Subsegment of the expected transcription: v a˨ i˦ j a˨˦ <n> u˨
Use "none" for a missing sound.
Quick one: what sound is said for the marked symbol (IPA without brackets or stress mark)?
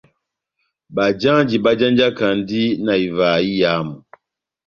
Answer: m